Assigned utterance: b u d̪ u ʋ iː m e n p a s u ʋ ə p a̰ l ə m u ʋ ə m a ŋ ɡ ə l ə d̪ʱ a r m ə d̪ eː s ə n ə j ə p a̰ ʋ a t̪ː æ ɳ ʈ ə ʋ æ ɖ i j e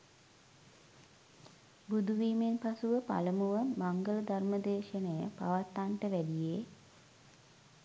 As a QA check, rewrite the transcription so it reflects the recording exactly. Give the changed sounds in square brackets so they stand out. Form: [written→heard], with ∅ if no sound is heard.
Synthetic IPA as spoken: b u d̪ u ʋ iː m e n p a s u ʋ ə p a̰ l ə m u ʋ ə m a ŋ ɡ ə l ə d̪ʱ a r m ə d̪ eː [s→ʃ] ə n ə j ə p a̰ ʋ a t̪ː [æ→a] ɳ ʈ ə ʋ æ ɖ i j e